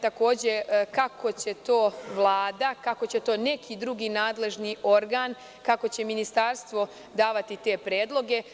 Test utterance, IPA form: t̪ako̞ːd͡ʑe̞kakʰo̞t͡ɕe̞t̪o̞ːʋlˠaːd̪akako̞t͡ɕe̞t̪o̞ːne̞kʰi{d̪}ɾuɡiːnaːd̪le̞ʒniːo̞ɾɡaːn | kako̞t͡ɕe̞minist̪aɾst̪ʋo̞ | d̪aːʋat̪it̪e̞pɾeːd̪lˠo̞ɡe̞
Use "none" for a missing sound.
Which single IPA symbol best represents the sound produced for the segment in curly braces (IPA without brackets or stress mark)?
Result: d̪